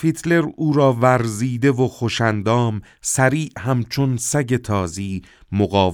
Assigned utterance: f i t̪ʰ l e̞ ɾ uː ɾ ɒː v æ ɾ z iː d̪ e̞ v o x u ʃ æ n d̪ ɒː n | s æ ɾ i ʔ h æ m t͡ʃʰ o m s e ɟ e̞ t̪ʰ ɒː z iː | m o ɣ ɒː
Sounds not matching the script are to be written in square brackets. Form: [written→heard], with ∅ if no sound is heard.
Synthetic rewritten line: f i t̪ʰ l e̞ ɾ uː ɾ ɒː v æ ɾ z iː d̪ e̞ v o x [u→o] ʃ æ n d̪ ɒː [n→m] | s æ ɾ [i→iː] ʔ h æ m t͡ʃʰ o [m→n] s [e→æ] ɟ e̞ t̪ʰ ɒː z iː | m o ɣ ɒː